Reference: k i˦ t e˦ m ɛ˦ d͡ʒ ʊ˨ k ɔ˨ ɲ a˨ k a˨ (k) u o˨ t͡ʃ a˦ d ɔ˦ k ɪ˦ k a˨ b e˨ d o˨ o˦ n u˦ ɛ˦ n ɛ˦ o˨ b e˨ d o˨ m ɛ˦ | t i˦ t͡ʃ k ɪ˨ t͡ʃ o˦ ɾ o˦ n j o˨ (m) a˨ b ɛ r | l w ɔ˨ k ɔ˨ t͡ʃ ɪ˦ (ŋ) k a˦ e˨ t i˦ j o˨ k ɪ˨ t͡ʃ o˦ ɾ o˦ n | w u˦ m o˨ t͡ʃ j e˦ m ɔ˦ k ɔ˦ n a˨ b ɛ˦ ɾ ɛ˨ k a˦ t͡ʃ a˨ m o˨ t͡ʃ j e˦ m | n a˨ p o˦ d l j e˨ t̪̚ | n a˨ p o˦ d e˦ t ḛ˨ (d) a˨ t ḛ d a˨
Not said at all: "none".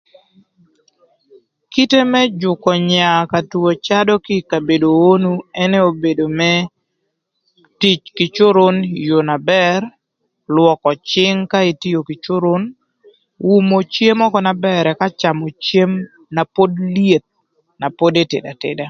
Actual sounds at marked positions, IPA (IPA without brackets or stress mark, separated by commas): t, n, ŋ, d